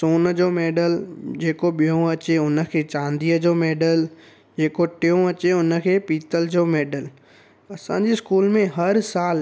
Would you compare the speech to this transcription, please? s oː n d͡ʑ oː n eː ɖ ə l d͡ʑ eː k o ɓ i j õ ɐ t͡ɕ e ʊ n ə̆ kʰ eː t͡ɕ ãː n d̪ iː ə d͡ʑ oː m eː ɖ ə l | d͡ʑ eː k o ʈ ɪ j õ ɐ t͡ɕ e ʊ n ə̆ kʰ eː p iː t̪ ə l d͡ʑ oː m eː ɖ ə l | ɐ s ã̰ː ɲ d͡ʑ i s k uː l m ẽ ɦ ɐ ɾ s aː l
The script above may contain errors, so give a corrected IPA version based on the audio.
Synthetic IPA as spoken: s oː n d͡ʑ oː m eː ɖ ə l d͡ʑ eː k o ɓ i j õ ɐ t͡ɕ e ʊ n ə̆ kʰ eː t͡ɕ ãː n d̪ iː ə d͡ʑ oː m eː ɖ ə l | d͡ʑ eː k o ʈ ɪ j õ ɐ t͡ɕ e ʊ n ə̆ kʰ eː p iː t̪ ə l d͡ʑ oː m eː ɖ ə l | ɐ s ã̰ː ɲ d͡ʑ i s k uː l m ẽ ɦ ɐ ɾ s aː l